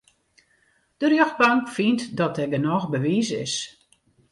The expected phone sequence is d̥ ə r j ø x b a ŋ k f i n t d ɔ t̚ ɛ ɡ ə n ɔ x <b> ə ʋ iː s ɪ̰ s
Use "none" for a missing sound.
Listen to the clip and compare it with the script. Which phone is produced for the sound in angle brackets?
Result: b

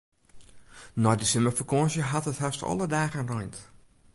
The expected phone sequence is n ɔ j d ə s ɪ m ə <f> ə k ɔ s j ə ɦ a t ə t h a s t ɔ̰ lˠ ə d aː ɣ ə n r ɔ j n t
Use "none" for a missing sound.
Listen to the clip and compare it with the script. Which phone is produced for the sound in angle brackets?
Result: f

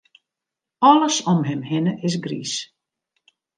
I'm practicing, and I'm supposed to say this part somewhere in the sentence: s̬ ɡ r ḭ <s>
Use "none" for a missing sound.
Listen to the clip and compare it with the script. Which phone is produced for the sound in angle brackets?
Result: s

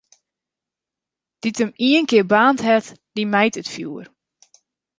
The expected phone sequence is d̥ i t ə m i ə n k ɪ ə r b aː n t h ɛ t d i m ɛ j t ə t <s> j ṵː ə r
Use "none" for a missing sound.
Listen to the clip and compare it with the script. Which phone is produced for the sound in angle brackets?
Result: f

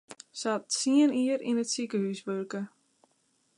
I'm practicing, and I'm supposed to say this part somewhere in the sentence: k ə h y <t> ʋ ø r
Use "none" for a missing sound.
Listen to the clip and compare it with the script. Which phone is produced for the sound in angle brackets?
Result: s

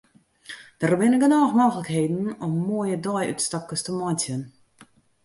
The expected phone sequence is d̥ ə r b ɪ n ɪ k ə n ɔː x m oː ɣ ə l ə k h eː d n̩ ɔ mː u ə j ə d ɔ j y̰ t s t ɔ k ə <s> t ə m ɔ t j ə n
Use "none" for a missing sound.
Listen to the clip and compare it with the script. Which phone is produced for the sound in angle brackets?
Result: s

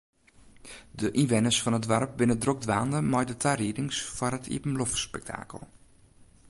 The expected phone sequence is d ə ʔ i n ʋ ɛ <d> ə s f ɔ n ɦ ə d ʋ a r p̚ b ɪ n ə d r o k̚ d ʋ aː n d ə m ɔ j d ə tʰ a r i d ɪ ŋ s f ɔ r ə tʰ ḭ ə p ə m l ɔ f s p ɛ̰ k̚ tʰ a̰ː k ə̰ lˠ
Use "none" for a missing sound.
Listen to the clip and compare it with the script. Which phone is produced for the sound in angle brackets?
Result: n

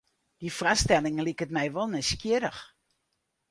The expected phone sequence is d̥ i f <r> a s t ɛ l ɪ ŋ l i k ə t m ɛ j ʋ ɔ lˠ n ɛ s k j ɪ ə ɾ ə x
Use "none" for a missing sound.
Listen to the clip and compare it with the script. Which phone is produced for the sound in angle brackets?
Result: r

